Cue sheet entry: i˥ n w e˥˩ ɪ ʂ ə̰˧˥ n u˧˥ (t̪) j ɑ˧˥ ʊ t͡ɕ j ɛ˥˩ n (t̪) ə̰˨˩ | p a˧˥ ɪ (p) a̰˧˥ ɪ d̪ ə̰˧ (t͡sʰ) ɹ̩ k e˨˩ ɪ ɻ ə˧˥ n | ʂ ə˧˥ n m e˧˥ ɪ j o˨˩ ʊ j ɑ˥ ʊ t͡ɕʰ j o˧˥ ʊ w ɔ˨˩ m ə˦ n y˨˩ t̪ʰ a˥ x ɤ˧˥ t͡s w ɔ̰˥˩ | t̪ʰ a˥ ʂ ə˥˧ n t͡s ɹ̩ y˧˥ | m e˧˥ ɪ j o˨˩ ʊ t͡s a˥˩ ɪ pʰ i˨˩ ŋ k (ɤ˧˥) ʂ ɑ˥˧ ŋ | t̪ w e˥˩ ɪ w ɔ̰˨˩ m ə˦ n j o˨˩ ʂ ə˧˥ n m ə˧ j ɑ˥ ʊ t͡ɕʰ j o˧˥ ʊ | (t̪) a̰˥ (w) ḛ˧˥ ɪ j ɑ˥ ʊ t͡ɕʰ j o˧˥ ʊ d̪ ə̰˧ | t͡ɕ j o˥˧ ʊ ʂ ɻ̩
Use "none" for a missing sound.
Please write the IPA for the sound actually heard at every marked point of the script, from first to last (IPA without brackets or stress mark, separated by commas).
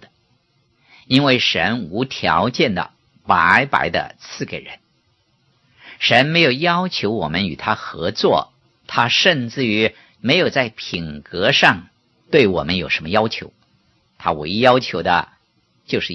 t̪ʰ, d̪, p, t͡sʰ, ɤ˧˥, t̪ʰ, w